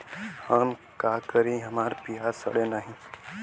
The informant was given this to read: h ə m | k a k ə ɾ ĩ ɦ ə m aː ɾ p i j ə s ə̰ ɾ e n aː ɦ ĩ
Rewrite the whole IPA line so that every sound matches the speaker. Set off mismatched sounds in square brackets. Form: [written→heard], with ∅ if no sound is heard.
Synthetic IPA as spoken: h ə m | k a k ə ɾ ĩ ɦ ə m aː ɾ p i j [ə→a] s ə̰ [ɾ→ɽ] e n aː ɦ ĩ